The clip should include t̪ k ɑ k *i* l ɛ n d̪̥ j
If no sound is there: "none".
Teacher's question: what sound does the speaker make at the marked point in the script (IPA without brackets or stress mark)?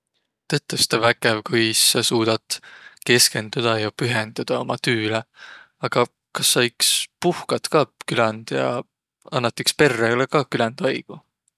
y